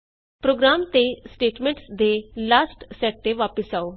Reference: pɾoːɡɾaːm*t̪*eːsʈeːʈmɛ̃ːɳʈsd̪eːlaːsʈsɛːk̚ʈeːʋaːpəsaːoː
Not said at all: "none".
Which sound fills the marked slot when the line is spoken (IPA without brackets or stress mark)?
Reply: t̪